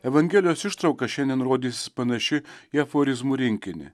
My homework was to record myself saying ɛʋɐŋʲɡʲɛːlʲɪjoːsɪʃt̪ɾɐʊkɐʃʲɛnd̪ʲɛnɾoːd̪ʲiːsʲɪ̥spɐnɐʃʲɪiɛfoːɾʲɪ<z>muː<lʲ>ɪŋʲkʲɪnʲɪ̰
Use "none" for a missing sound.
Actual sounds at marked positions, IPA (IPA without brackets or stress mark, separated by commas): z, ɾʲ